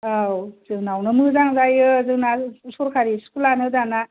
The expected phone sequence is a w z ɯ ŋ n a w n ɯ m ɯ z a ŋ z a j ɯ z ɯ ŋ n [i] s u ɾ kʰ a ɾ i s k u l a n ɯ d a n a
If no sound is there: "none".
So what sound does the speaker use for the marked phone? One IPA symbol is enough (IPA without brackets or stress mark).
a